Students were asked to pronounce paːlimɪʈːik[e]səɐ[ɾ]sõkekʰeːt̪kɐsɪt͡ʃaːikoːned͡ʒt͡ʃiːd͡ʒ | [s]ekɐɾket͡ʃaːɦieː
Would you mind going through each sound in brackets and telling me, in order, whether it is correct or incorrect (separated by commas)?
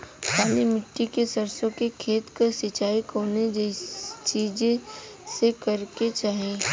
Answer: correct, correct, correct